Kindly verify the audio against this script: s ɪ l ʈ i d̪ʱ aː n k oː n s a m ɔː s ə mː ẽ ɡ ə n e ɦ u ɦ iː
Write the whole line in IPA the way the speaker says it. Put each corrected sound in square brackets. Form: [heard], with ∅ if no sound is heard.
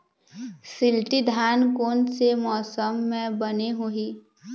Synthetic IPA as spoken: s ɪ l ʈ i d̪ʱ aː n k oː n s [e] m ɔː s ə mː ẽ [b] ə n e ɦ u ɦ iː